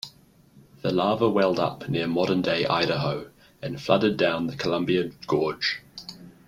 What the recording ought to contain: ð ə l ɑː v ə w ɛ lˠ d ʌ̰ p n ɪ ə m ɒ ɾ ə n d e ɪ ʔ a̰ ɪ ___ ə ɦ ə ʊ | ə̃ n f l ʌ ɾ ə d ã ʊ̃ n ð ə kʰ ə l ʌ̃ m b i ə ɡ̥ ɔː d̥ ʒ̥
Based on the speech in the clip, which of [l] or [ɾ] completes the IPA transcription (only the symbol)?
ɾ